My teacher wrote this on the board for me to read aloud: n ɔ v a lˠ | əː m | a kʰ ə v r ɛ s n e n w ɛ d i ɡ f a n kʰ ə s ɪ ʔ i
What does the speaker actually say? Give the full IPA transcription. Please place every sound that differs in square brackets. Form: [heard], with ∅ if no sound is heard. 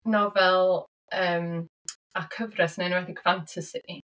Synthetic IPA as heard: n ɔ v [ɛ] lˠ | əː m | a kʰ ə v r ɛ s n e n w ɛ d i ɡ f a n [tʰ] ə s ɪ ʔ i